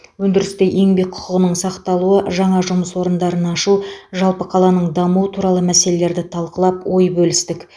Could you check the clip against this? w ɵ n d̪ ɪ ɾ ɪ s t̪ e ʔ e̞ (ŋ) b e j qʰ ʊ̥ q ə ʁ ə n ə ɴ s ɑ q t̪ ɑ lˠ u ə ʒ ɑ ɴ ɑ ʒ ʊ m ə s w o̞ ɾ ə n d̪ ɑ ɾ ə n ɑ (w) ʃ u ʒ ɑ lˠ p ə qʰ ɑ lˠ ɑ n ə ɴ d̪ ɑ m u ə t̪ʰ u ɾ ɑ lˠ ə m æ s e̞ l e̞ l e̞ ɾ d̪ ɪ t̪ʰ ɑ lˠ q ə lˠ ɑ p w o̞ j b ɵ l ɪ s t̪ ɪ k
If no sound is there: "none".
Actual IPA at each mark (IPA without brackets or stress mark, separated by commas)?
ŋ, none